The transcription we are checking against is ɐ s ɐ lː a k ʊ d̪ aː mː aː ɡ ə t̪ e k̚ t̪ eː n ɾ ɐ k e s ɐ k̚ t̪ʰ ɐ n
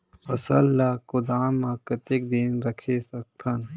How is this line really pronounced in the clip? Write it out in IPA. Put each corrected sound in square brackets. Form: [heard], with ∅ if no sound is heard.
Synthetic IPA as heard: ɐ s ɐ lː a k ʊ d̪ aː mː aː [k] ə t̪ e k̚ [d̪] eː n ɾ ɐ [kʰ] e s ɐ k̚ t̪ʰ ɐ n